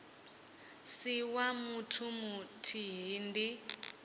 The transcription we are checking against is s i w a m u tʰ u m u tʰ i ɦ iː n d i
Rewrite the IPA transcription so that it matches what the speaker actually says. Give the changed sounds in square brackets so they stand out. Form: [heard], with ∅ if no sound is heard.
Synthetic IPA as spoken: s i w a m u tʰ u m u tʰ i ɦ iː n d i